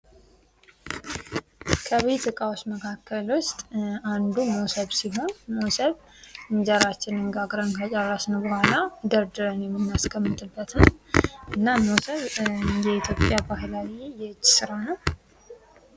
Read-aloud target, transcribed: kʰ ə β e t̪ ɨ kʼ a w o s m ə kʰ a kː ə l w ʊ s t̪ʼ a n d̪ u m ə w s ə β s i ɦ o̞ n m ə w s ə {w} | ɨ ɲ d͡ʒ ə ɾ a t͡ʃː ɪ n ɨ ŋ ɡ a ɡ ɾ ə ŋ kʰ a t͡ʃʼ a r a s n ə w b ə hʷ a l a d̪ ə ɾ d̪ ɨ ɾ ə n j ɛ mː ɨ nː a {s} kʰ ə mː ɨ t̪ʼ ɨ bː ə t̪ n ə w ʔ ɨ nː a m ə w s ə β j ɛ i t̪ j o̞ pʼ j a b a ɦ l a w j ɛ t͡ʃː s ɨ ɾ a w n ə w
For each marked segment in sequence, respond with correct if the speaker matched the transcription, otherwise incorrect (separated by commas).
incorrect, correct